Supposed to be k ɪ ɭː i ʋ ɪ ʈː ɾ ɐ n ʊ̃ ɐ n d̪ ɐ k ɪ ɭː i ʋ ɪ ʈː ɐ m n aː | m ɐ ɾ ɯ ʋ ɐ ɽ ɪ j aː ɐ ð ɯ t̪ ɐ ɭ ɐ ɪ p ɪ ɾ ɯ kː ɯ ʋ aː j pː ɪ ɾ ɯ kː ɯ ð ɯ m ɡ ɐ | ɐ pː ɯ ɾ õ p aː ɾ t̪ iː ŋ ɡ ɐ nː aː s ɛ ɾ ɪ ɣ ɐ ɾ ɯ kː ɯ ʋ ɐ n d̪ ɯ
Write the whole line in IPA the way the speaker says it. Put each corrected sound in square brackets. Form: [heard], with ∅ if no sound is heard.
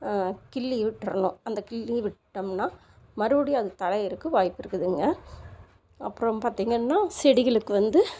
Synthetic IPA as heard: k ɪ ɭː i ʋ ɪ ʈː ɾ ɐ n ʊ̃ ɐ n d̪ ɐ k ɪ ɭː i ʋ ɪ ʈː ɐ m n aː | m ɐ ɾ ɯ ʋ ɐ ɽ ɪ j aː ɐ ð ɯ t̪ ɐ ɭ ɐ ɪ [∅] ɪ ɾ ɯ kː ɯ ʋ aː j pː ɪ ɾ ɯ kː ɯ ð ɯ [ŋ] ɡ ɐ | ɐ pː ɯ ɾ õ p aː ɾ t̪ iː ŋ ɡ ɐ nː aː s ɛ [ɽ] ɪ ɣ ɐ [ɭ] ɯ kː ɯ ʋ ɐ n d̪ ɯ